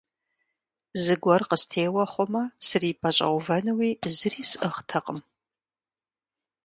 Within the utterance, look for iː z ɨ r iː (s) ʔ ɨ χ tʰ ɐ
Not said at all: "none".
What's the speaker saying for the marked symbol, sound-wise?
s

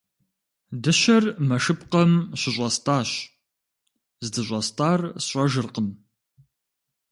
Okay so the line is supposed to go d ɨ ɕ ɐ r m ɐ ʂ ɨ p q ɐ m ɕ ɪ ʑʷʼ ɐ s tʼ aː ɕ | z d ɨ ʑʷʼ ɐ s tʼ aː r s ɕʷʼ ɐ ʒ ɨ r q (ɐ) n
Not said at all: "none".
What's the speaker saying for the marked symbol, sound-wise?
ə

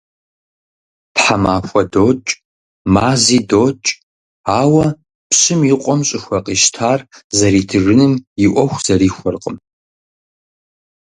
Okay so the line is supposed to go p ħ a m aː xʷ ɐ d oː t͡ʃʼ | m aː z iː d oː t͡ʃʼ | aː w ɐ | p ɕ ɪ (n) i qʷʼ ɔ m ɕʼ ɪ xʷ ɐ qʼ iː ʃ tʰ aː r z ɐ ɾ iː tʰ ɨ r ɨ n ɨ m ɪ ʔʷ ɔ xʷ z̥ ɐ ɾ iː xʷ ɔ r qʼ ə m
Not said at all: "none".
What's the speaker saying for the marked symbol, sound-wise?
m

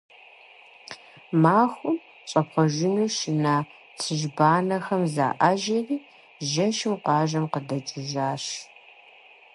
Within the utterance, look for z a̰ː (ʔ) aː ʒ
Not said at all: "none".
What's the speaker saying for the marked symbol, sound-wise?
ʔ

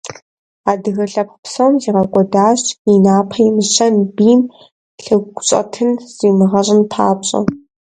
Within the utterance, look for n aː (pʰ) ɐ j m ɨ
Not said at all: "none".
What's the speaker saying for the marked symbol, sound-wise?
pʰ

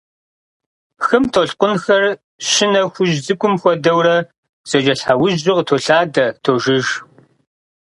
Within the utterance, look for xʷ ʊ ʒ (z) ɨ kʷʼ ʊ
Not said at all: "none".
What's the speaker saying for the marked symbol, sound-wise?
z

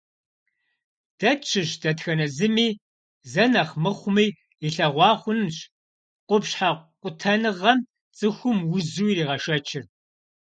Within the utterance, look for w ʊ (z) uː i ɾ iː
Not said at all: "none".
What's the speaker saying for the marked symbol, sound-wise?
z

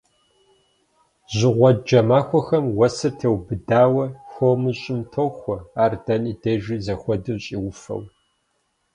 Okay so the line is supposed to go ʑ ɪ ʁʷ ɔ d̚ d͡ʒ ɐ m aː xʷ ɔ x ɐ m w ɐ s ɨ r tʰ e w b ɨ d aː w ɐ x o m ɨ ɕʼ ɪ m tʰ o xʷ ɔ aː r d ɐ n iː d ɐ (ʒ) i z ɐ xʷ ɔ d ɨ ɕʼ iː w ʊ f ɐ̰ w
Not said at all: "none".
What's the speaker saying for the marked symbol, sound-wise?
ʒ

